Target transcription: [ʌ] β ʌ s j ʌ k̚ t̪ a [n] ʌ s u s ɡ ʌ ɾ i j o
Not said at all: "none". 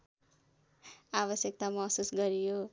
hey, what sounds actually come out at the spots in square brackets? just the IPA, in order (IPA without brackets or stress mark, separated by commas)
a, m